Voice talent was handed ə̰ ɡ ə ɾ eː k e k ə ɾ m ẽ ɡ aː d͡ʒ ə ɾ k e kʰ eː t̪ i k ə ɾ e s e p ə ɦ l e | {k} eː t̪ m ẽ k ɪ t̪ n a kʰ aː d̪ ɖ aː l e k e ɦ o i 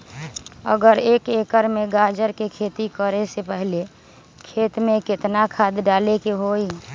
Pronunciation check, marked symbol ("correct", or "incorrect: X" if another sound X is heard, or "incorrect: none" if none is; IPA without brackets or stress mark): incorrect: kʰ